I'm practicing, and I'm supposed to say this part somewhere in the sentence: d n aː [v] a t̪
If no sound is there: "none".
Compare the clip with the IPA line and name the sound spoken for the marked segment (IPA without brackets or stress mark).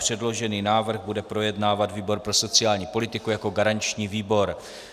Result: v